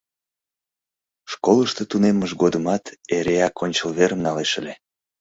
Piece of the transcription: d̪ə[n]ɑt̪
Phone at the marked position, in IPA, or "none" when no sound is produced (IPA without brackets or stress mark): m